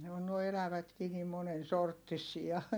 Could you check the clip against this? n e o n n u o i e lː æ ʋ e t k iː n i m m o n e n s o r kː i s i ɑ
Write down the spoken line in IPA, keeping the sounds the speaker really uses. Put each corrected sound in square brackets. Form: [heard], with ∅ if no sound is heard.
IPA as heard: n e o n n u o i e [l] æ ʋ [æ] t k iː n i m m o n e n s o r [tː] i s i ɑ